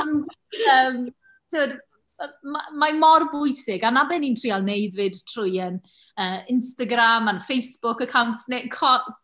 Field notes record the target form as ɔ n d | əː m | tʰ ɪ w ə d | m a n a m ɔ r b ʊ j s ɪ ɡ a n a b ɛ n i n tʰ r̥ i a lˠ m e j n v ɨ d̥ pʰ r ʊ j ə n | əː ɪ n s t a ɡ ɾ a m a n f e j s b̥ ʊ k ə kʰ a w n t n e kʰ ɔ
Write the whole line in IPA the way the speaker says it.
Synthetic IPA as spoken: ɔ n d | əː m | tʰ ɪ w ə d | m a m a m ɔ r b ʊ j s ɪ ɡ a n a b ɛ n i n tʰ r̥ i a lˠ n e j d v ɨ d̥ tʰ r ʊ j ə n | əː ɪ n s t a ɡ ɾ a m a n f e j s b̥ ʊ k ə kʰ a w n t n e kʰ ɔ